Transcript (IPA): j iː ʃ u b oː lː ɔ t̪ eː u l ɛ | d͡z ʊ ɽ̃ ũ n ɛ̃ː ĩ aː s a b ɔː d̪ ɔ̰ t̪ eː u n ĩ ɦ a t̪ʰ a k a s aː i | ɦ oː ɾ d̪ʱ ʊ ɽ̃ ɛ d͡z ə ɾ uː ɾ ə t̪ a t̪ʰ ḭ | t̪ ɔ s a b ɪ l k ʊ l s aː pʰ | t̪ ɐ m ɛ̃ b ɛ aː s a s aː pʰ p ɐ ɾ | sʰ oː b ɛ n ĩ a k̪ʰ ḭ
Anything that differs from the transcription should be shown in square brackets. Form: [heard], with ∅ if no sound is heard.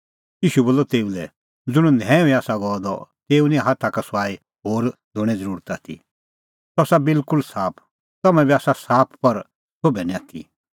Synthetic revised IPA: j iː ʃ u b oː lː ɔ t̪ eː u l ɛ | d͡z ʊ ɽ̃ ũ n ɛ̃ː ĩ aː s a [ɡ] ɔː d̪ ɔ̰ t̪ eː u n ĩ ɦ a t̪ʰ a k a s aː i | ɦ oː ɾ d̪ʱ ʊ ɽ̃ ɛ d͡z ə ɾ uː ɾ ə t̪ a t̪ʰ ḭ | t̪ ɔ s a b ɪ l k ʊ l s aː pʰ | t̪ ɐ m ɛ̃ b [i] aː s a s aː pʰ p ɐ ɾ | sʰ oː b ɛ n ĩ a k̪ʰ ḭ